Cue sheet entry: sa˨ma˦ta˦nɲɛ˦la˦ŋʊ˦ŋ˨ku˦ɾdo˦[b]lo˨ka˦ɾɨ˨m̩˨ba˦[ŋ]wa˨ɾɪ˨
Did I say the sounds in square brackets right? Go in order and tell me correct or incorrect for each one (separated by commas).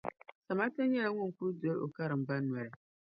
incorrect, incorrect